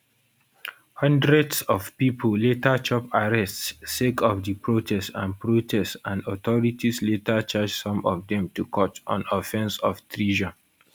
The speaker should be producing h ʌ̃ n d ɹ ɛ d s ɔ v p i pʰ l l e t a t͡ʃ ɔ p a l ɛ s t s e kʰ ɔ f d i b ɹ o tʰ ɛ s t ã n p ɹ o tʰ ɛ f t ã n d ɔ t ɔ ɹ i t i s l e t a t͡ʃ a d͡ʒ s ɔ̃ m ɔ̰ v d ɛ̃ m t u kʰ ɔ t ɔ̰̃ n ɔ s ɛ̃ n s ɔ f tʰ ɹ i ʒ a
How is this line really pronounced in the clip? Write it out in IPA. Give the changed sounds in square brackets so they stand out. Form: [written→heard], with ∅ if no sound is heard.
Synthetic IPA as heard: h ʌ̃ n d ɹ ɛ d s ɔ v p i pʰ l l e t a t͡ʃ ɔ p a [l→ɹ] ɛ s t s e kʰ ɔ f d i [b→p] ɹ o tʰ ɛ s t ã n p ɹ o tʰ ɛ [f→s] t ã n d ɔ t ɔ ɹ i t i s l e t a t͡ʃ a d͡ʒ s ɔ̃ m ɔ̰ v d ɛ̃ m t u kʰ ɔ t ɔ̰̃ n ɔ [s→f] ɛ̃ n s ɔ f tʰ ɹ i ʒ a